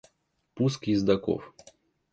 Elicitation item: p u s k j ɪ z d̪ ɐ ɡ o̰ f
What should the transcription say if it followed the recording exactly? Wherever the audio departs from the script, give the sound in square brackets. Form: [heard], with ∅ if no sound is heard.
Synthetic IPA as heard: p u s k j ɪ z d̪ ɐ [k] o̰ f